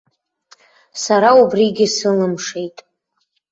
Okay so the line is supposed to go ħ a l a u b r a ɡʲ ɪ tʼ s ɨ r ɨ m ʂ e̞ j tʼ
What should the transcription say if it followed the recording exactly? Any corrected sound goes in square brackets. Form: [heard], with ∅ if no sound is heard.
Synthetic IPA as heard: [s] a [ɾ] a u b r [i] ɡʲ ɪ [∅] s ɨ [l] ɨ m ʂ e̞ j tʼ